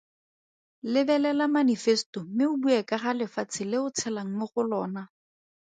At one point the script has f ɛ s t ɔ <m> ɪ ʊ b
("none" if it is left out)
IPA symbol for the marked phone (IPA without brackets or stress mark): m